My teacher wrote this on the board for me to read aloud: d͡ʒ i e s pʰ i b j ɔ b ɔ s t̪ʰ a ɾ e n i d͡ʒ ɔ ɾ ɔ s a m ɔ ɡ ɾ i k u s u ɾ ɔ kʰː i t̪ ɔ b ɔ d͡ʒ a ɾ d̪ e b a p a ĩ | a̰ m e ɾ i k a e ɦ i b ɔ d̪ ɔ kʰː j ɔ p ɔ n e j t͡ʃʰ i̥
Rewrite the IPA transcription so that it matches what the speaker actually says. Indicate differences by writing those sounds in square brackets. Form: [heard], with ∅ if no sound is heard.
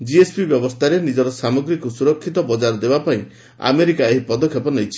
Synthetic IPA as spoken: d͡ʒ i e s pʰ i b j ɔ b ɔ s t̪ʰ a ɾ e n i d͡ʒ ɔ ɾ ɔ s a m ɔ ɡ ɾ i k u s u ɾ ɔ kʰː i t̪ ɔ b ɔ d͡ʒ a ɾ d̪ e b a p a ĩ | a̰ m e ɾ i k a e ɦ i [p] ɔ d̪ ɔ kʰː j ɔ p ɔ n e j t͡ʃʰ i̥